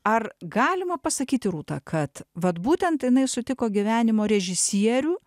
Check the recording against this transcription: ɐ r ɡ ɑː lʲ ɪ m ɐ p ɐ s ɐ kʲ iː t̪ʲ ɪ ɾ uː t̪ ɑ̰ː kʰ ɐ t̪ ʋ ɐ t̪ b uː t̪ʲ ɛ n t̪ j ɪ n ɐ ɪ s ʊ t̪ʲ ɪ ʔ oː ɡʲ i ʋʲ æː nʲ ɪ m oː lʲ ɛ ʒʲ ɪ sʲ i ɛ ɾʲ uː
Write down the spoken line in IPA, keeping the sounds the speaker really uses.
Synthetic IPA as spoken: ɐ r ɡ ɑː lʲ ɪ m ɐ p ɐ s ɐ kʲ iː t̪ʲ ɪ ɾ uː t̪ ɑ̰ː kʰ ɐ t̪ ʋ ɐ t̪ b uː t̪ʲ ɛ n t̪ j ɪ n ɐ ɪ s ʊ t̪ʲ ɪ k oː ɡʲ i ʋʲ æː nʲ ɪ m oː ɾʲ ɛ ʒʲ ɪ sʲ i ɛ ɾʲ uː